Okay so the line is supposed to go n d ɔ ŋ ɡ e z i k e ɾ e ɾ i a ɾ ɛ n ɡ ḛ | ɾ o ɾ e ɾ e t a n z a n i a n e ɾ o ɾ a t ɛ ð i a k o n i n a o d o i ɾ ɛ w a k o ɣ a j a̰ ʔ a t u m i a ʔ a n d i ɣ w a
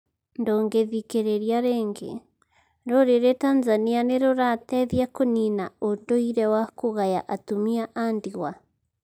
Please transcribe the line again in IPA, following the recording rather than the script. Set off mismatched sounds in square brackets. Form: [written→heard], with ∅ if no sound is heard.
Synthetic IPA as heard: n d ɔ ŋ ɡ e [z→ð] i k e ɾ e ɾ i a ɾ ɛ [n→ŋ] ɡ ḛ | ɾ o ɾ e ɾ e t a n z a n i a n e ɾ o ɾ a t ɛ ð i a k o n i n a o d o i ɾ ɛ w a k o ɣ a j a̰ ʔ a t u m i a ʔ a n d i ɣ w a